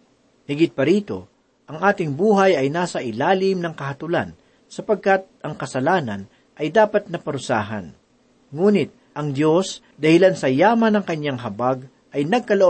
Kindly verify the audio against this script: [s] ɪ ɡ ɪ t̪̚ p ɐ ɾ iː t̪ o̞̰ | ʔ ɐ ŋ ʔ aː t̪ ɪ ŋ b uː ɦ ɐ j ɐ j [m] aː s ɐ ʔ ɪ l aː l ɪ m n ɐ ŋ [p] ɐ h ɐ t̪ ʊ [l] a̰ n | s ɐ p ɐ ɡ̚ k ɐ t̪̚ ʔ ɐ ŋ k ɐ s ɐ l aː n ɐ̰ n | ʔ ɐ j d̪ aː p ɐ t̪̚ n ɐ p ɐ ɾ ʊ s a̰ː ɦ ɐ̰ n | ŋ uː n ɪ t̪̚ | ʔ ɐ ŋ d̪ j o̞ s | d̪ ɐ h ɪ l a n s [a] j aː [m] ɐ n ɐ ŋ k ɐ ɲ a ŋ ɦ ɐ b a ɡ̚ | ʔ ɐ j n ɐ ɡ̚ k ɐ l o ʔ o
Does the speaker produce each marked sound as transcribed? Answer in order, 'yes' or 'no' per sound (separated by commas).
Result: no, no, no, yes, no, yes